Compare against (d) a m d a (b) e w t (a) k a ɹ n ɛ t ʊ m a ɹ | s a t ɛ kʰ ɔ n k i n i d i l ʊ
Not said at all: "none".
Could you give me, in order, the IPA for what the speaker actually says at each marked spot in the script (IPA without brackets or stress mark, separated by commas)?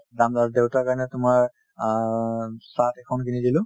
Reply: d, d, a